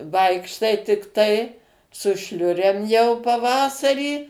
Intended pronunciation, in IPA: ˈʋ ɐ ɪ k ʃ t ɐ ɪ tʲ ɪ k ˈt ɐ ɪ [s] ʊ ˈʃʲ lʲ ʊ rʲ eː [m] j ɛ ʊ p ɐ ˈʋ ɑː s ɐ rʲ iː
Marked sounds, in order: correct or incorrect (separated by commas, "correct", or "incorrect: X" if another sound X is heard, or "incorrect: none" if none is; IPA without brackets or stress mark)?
correct, correct